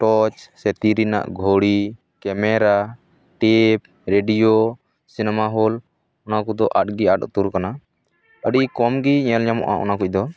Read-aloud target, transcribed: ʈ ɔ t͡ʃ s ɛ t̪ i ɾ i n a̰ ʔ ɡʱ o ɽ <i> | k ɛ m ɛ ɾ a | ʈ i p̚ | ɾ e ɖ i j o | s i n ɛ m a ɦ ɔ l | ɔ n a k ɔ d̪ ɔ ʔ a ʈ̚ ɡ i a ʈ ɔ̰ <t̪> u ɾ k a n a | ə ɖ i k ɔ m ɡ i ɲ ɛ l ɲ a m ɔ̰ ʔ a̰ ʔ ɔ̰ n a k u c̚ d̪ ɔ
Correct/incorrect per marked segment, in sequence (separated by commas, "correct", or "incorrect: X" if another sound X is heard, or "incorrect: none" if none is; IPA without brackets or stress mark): correct, correct